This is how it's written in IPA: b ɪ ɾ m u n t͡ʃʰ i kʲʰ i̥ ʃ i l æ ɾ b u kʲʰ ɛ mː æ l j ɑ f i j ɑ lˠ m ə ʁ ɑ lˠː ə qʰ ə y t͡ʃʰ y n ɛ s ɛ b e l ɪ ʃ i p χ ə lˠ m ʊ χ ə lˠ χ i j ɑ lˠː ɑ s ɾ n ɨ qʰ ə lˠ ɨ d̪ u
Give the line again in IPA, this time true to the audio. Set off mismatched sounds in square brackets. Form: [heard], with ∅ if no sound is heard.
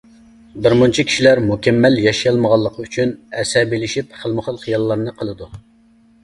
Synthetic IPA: b ɪ ɾ m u n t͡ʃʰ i kʲʰ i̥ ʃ i l æ ɾ [m] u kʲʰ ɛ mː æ l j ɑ [ʃ] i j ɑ lˠ m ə ʁ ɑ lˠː ə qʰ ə y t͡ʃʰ y n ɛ s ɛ b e l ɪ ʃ i p χ ə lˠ m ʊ χ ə lˠ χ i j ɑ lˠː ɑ [∅] ɾ n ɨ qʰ ə lˠ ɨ d̪ u